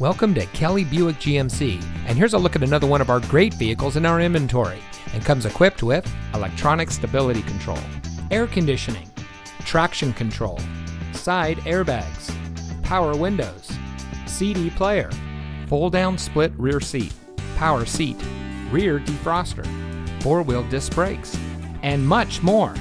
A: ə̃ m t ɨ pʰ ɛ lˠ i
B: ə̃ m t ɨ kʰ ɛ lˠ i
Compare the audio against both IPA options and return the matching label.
B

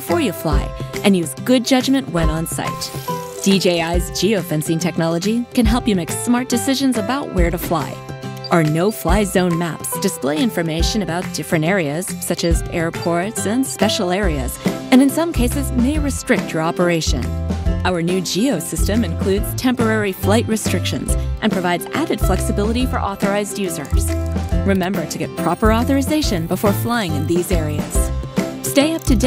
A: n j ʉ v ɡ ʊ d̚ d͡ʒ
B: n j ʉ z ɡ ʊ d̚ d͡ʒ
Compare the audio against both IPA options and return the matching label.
B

